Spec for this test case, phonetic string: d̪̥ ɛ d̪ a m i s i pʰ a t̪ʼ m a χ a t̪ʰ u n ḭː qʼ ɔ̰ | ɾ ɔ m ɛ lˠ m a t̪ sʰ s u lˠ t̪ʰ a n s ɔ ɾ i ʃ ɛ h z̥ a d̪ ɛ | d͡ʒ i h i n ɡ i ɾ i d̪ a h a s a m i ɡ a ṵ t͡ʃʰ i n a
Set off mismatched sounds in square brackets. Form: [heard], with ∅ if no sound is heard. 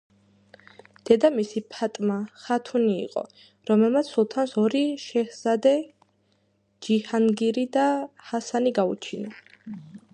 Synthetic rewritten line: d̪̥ ɛ d̪ a m i s i pʰ a t̪ʼ m a χ a t̪ʰ u n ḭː qʼ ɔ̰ | ɾ ɔ m ɛ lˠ m a t̪ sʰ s u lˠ t̪ʰ a n s ɔ ɾ i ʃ ɛ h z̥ a d̪ ɛ | d͡ʒ i h [a] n ɡ i ɾ i d̪ a h a s a [n] i ɡ a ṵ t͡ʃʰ i n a

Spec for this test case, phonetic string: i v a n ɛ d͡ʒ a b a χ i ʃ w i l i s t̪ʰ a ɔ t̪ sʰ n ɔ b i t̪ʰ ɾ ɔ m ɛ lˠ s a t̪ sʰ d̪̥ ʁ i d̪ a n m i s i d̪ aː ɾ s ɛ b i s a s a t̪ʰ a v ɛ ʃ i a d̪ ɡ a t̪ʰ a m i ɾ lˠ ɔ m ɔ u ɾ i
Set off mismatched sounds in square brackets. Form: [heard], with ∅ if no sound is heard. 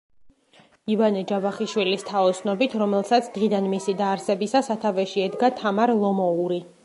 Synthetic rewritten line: i v a n ɛ d͡ʒ a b a χ i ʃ w i l i s t̪ʰ a ɔ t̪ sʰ n ɔ b i t̪ʰ ɾ ɔ m ɛ lˠ s a t̪ sʰ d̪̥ ʁ i d̪ a n m i s i d̪ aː ɾ s ɛ b i s a s a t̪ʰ a v ɛ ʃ i [ɛ] d̪ ɡ a t̪ʰ a m [a] ɾ lˠ ɔ m ɔ u ɾ i

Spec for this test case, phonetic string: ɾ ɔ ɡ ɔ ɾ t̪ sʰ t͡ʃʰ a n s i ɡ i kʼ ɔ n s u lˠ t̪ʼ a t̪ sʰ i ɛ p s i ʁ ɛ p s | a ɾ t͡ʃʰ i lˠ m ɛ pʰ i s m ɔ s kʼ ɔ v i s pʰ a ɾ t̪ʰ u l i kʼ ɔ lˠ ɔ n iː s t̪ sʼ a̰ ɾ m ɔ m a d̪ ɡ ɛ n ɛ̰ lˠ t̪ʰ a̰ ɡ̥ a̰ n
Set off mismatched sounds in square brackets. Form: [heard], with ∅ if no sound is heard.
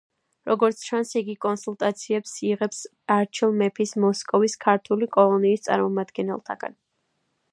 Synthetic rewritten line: ɾ ɔ ɡ ɔ ɾ t̪ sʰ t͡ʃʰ a n s i ɡ i kʼ ɔ n s u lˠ t̪ʼ a t̪ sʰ i ɛ p s i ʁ ɛ p s | a ɾ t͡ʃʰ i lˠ m ɛ pʰ i s m ɔ s kʼ ɔ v i s [kʰ] a ɾ t̪ʰ u l i kʼ ɔ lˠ ɔ n iː s t̪ sʼ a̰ ɾ m ɔ m a d̪ ɡ ɛ n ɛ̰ lˠ t̪ʰ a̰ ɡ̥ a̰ n

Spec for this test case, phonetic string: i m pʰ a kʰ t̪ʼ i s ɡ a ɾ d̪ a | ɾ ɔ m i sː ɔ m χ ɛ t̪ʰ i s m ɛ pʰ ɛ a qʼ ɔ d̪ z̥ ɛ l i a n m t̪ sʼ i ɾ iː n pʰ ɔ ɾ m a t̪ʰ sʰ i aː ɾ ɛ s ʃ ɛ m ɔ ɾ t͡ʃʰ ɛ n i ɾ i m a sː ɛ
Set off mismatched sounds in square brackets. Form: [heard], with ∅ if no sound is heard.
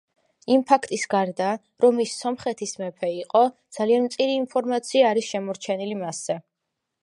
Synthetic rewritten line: i m pʰ a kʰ t̪ʼ i s ɡ a ɾ d̪ a | ɾ ɔ m i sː ɔ m χ ɛ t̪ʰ i s m ɛ pʰ ɛ [i] qʼ ɔ d̪ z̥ [a] l i a n m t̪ sʼ i ɾ iː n pʰ ɔ ɾ m a [t̪] sʰ i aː ɾ [i] s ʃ ɛ m ɔ ɾ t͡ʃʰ ɛ n i [l] i m a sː ɛ

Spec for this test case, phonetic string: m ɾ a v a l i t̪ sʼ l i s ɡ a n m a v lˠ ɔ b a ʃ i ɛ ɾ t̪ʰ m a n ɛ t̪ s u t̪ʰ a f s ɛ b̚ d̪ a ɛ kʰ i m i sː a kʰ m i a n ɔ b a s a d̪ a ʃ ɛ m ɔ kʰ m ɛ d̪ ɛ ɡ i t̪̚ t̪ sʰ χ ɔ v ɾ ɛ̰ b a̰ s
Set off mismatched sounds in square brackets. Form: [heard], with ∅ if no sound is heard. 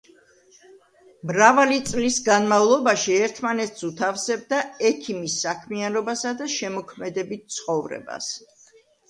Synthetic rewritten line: m ɾ a v a l i t̪ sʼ l i s ɡ a n m a v lˠ ɔ b a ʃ i ɛ ɾ t̪ʰ m a n ɛ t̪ s u t̪ʰ a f s ɛ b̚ d̪ a ɛ kʰ i m i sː a kʰ m i a n ɔ b a s a d̪ a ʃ ɛ m ɔ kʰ m ɛ d̪ ɛ [b] i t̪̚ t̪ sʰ χ ɔ v ɾ ɛ̰ b a̰ s

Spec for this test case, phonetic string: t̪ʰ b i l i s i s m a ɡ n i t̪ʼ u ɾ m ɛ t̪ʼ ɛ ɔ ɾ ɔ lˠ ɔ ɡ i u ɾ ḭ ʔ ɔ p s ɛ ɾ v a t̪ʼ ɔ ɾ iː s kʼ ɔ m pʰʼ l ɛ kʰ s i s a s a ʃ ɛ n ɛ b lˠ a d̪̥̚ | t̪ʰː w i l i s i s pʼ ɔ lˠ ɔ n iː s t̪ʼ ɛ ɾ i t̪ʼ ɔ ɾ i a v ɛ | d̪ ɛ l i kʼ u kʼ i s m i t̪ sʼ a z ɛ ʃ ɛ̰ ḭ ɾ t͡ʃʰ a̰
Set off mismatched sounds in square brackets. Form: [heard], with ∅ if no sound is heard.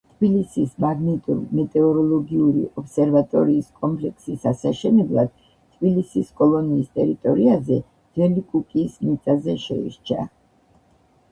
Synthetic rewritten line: t̪ʰ b i l i s i s m a ɡ n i t̪ʼ u ɾ m ɛ t̪ʼ ɛ ɔ ɾ ɔ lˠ ɔ ɡ i u ɾ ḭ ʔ ɔ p s ɛ ɾ v a t̪ʼ ɔ ɾ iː s kʼ ɔ m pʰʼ l ɛ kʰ s i s a s a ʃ ɛ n ɛ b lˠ a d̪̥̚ | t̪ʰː [b] i l i s i s [kʼ] ɔ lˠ ɔ n iː s t̪ʼ ɛ ɾ i t̪ʼ ɔ ɾ i a [z] ɛ | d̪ ɛ l i kʼ u kʼ i s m i t̪ sʼ a z ɛ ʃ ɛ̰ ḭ ɾ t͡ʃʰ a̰

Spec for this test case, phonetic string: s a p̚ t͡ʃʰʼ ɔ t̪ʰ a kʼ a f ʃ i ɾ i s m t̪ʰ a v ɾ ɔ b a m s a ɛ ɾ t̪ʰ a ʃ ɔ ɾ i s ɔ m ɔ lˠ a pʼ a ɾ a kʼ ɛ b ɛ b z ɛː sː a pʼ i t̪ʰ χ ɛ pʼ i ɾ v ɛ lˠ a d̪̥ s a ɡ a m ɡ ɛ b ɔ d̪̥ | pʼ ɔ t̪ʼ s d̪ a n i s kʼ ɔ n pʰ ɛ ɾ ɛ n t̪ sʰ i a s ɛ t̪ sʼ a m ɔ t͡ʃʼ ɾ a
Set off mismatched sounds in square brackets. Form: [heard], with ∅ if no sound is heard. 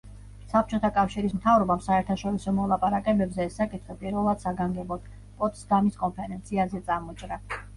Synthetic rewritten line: s a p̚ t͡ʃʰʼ ɔ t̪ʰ a kʼ a f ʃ i ɾ i s m t̪ʰ a v ɾ ɔ b a m s a ɛ ɾ t̪ʰ a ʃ ɔ ɾ i s ɔ m ɔ lˠ a pʼ a ɾ a kʼ ɛ b ɛ b z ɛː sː a [kʼ] i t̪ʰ χ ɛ pʼ i ɾ v ɛ lˠ a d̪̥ s a ɡ a [ŋ] ɡ ɛ b ɔ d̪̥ | pʼ ɔ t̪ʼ s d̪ a [m] i s kʼ ɔ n pʰ ɛ ɾ ɛ n t̪ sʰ i a [z] ɛ t̪ sʼ a m ɔ t͡ʃʼ ɾ a

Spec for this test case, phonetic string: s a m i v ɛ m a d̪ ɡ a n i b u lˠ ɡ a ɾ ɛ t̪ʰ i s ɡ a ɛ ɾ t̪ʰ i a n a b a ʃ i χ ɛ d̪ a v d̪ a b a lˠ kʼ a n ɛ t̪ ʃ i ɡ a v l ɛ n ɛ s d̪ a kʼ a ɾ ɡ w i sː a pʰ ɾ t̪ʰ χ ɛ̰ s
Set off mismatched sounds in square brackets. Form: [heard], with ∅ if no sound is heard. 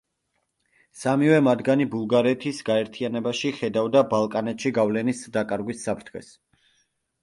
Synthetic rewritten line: s a m i v ɛ m a d̪ ɡ a n i b u lˠ ɡ a ɾ ɛ t̪ʰ i s ɡ a ɛ ɾ t̪ʰ i a n [ɛ] b a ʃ i χ ɛ d̪ a v d̪ a b a lˠ kʼ a n ɛ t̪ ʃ i ɡ a v l ɛ n [i] s d̪ a kʼ a ɾ ɡ w i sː a pʰ ɾ t̪ʰ χ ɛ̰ s

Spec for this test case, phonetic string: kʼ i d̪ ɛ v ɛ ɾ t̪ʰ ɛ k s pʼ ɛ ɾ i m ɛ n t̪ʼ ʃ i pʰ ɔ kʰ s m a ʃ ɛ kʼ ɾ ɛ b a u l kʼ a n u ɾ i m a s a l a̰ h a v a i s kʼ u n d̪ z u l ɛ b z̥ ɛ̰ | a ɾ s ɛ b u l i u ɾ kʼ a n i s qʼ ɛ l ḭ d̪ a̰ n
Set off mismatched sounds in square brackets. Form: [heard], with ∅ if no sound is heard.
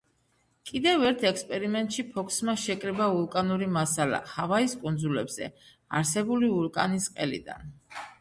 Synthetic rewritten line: kʼ i d̪ ɛ v ɛ ɾ t̪ʰ ɛ k s pʼ ɛ ɾ i m ɛ n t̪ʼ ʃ i pʰ ɔ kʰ s m a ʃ ɛ kʼ ɾ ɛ b a u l kʼ a n u ɾ i m a s a l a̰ h a v a i s kʼ u n d̪ z u l ɛ b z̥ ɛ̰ | a ɾ s ɛ b u l i u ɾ kʼ a n i s qʼ ɛ l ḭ d̪ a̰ n

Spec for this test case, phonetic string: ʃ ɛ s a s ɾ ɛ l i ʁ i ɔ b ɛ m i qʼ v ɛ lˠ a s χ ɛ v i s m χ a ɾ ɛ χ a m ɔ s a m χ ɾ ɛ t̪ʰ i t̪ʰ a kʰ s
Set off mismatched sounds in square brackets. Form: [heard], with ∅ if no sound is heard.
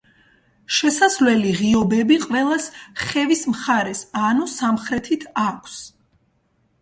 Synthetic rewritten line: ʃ ɛ s a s [l] ɛ l i ʁ i ɔ b ɛ [b] i qʼ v ɛ lˠ a s χ ɛ v i s m χ a ɾ ɛ [s] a [n] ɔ s a m χ ɾ ɛ t̪ʰ i t̪ʰ a kʰ s

